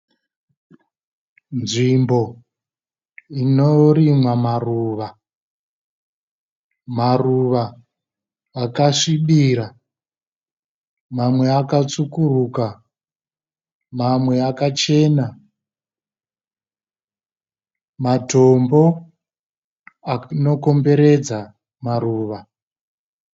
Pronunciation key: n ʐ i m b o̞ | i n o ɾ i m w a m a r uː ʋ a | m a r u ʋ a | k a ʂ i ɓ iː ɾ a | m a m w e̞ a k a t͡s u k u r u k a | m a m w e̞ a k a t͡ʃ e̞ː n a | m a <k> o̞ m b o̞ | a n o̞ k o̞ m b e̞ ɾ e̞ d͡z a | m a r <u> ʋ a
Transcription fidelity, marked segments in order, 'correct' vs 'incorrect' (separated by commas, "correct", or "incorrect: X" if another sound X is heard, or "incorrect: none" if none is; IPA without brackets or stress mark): incorrect: t, incorrect: uː